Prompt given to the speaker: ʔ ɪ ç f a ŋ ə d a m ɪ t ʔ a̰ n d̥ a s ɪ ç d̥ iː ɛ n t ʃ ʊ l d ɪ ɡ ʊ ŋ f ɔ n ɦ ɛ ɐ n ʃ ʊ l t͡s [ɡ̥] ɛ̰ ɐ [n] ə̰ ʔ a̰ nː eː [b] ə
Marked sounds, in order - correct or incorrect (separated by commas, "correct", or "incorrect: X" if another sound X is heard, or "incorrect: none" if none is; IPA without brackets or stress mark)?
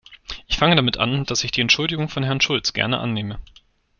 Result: correct, correct, incorrect: m